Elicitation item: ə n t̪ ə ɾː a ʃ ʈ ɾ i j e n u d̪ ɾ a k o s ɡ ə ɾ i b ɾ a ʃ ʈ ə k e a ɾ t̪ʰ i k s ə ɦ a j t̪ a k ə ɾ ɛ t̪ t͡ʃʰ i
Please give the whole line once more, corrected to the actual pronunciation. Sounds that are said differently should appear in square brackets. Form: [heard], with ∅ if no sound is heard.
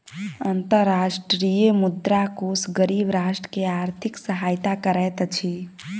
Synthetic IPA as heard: ə n t̪ ə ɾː a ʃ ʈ ɾ i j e [m] u d̪ ɾ a k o s ɡ ə ɾ i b ɾ a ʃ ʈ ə k e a ɾ t̪ʰ i k s ə ɦ a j t̪ a k ə ɾ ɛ t̪ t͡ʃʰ i